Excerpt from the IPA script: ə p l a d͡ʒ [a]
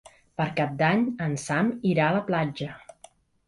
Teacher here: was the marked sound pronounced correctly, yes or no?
no